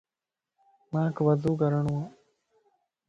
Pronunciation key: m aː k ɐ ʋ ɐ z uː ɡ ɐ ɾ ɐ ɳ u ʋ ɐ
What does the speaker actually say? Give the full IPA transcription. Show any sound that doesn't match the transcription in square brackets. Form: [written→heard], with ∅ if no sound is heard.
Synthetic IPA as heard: m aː k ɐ ʋ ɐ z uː ɡ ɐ ɾ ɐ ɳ u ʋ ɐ